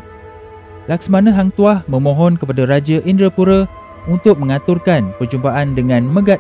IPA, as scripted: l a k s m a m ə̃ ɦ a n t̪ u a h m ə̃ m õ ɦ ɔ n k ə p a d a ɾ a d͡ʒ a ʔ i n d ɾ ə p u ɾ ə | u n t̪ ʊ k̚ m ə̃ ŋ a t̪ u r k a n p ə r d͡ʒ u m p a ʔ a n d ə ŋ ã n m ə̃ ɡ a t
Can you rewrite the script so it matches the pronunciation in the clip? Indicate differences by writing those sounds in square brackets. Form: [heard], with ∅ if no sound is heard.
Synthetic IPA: l a k s m a [n] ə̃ ɦ a [ŋ] t̪ u a h m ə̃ m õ ɦ ɔ n k ə p a d a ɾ a d͡ʒ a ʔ i n d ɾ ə p u ɾ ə | u n t̪ ʊ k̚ m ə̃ ŋ a t̪ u r k a n p ə r d͡ʒ u m p a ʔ a n d ə ŋ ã n m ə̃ ɡ a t